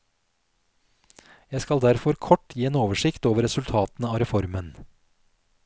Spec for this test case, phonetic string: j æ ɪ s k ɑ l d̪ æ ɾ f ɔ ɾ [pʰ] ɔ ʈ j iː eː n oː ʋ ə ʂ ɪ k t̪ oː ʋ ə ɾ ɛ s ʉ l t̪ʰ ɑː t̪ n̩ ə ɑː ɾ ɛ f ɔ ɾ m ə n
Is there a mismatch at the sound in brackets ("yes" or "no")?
yes